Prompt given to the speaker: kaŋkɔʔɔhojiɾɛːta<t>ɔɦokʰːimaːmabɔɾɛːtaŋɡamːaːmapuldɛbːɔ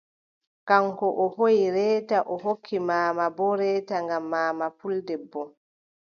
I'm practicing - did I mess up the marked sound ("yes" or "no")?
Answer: yes